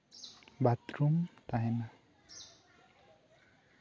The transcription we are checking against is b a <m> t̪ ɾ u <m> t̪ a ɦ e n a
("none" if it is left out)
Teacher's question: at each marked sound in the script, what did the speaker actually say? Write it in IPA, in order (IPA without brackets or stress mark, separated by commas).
none, m